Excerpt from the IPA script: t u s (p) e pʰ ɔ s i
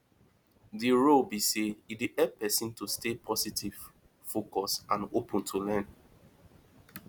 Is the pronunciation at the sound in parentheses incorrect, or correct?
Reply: incorrect